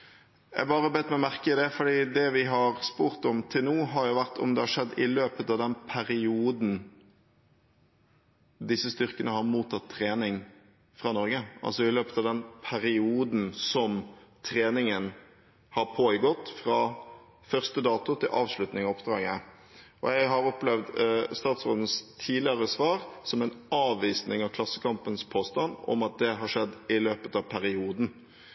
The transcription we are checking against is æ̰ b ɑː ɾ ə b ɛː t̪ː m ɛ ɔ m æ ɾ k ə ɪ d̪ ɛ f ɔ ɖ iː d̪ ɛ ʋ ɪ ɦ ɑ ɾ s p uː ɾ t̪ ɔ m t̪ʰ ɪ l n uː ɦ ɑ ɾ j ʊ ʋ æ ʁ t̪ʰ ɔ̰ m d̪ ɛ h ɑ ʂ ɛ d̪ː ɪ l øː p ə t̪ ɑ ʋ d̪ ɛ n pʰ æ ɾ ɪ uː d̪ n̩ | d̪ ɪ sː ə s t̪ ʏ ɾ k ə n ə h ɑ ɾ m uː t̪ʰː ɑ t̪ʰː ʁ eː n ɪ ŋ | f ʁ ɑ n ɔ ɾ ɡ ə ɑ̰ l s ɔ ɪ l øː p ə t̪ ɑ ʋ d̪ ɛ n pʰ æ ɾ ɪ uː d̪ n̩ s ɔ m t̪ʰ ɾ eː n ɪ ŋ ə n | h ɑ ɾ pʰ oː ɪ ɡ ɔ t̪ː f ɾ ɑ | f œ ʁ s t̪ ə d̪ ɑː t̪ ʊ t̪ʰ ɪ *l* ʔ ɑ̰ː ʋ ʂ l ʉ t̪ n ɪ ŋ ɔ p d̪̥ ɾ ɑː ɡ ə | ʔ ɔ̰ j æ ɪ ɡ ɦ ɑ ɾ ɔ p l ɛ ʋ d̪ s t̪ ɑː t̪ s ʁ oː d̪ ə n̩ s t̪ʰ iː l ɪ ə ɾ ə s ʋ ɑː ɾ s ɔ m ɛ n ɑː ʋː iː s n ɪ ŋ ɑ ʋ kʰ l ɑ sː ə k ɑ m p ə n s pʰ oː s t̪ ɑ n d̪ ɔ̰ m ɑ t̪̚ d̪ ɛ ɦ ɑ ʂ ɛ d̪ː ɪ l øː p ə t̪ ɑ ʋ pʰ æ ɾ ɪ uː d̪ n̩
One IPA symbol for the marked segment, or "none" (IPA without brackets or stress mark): l